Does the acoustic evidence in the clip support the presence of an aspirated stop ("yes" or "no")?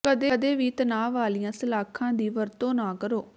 yes